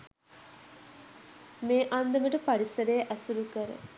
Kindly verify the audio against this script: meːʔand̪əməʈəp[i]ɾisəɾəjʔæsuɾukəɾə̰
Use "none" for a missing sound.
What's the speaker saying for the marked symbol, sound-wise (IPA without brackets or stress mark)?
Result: a